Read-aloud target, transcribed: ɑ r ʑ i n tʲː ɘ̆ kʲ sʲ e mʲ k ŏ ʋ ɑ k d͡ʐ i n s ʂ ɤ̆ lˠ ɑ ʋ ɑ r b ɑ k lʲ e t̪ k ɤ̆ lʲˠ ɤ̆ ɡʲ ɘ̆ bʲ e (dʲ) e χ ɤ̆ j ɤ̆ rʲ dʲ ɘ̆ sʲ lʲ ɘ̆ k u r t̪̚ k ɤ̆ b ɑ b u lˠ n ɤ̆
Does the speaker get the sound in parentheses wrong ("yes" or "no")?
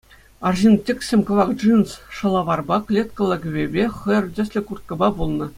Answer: yes